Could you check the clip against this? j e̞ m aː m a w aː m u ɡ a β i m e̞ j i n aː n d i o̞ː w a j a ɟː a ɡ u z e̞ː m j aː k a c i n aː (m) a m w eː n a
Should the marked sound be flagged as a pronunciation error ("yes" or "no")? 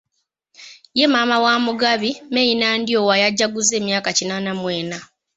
yes